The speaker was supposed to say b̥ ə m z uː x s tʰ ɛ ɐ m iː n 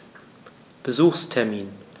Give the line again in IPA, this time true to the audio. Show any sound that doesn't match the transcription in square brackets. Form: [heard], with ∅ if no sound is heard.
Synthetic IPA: b̥ ə [∅] z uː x s tʰ ɛ ɐ m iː n